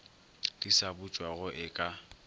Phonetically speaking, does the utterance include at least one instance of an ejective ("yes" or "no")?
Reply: yes